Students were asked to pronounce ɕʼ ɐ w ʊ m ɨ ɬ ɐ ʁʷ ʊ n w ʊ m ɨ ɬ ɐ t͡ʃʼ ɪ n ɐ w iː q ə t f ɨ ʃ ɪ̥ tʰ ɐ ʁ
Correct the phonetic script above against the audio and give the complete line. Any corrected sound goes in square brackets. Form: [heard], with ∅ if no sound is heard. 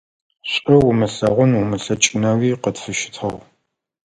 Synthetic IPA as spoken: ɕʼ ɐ w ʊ m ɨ ɬ ɐ ʁʷ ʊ n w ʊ m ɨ ɬ ɐ t͡ʃʼ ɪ n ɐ w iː q ə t f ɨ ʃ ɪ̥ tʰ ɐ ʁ